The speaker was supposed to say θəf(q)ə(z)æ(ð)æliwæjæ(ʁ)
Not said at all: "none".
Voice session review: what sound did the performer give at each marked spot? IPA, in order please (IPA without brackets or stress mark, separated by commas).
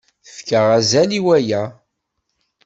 k, ʁ, z, none